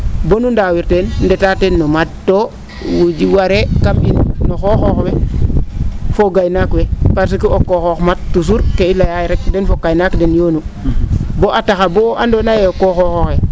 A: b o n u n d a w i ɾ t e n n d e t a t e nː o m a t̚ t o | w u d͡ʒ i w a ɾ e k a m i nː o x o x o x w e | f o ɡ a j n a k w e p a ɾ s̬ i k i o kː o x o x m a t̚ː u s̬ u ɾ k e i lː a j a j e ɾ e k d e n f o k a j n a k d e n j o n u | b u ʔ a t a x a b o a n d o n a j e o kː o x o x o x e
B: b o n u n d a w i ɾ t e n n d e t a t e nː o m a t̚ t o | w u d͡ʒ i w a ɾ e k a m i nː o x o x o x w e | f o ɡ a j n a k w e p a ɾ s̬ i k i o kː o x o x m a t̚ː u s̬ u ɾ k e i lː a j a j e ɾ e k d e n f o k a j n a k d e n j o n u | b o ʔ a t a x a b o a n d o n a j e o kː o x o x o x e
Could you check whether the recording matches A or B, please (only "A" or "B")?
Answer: B